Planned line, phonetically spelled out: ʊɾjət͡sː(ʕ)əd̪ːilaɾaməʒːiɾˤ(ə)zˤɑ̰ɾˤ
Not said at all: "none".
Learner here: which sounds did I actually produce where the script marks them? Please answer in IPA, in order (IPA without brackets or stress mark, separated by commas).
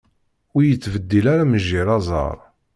v, ɑ